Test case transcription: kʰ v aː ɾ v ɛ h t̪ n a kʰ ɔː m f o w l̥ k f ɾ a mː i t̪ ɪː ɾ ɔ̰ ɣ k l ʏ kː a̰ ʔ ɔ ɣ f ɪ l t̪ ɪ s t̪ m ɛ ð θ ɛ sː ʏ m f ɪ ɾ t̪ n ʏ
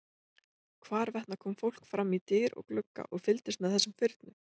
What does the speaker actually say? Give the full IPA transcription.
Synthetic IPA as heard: kʰ v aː ɾ v ɛ h t̪ n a kʰ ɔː m f o w l̥ k f ɾ a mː i t̪ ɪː ɾ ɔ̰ ɣ k l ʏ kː a̰ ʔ ɔ ɣ f ɪ l t̪ ɪ s t̪ m ɛ ð θ ɛ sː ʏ m f ɪ ɾ t̪ n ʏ

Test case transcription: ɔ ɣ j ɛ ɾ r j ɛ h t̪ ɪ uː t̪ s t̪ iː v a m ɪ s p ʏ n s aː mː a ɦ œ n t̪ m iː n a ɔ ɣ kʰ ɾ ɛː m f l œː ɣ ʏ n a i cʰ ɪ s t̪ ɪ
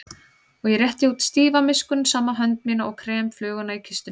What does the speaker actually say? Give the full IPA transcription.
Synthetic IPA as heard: ɔ ɣ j ɛ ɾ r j ɛ h t̪ ɪ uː t̪ s t̪ iː v a m ɪ s k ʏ n s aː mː a ɦ œ n t̪ m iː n a ɔ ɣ kʰ ɾ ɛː m f l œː ɣ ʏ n a i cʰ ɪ s t̪ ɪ

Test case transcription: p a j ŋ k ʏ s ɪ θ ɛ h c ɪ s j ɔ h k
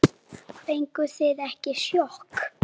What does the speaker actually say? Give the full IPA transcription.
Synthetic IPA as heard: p e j ŋ k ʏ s ɪ ð ɛ h c ɪ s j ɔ h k

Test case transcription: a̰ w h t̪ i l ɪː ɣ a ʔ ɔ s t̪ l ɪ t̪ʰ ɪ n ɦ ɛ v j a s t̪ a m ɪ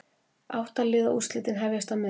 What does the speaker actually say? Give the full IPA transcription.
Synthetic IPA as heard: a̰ w h t̪ a l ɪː ð a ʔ u s t̪ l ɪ t̪ ɪ n ɦ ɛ v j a s t̪ a m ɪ

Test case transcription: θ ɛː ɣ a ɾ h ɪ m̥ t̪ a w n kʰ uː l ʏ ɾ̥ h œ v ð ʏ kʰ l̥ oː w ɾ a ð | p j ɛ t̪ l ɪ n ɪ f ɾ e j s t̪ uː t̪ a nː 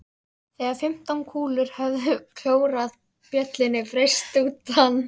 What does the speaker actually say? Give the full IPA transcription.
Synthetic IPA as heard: θ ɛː ɣ a ɾ f ɪ m̥ t̪ a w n kʰ uː l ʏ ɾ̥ h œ v ð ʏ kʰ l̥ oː w ɾ a ð | p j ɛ t̪ l ɪ n ɪ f ɾ e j s t̪ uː t̪ a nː

